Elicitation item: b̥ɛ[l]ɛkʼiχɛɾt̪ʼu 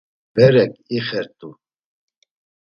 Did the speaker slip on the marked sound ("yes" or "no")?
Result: yes